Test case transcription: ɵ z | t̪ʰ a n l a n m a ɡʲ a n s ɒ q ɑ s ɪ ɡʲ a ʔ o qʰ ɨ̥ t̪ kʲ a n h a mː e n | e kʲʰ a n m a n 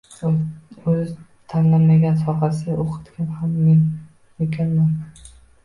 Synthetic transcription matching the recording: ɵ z | t̪ʰ a n l a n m a ɡʲ a n s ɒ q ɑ s ɪ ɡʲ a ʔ o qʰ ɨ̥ t̪ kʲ a n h a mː e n | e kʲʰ a n m a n